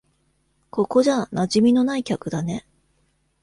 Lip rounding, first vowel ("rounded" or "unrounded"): rounded